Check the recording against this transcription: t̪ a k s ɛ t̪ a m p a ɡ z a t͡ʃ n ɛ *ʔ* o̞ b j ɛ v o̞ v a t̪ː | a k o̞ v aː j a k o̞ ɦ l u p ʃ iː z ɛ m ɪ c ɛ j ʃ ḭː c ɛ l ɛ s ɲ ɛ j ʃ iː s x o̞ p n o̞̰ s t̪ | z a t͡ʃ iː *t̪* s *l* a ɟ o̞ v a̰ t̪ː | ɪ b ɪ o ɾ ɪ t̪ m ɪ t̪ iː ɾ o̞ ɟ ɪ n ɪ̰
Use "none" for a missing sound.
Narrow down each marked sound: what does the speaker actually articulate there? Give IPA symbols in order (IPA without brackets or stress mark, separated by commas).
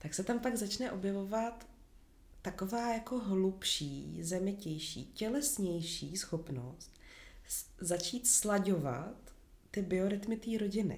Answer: ʔ, t̪, l